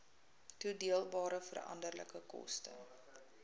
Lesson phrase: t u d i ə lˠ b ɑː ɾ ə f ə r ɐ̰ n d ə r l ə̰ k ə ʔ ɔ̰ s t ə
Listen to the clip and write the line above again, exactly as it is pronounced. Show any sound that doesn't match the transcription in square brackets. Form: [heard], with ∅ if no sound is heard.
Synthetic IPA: t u d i ə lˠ b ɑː ɾ ə f ə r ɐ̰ n d ə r l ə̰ k ə [k] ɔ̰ s t ə